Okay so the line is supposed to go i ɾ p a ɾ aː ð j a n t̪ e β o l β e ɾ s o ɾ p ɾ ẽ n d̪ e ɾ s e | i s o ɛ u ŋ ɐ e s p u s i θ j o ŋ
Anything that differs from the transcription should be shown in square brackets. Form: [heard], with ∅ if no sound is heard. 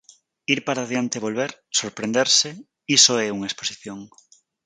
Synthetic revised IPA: i ɾ p a ɾ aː ð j a n t̪ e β o l β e ɾ s o ɾ p ɾ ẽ n d̪ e ɾ s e | i s o ɛ u ŋ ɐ e s p [o] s i θ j o ŋ